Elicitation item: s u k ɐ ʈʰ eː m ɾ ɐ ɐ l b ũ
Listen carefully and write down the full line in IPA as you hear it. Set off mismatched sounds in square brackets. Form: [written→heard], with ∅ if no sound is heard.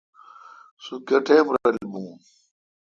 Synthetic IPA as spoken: s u k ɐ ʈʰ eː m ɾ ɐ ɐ l b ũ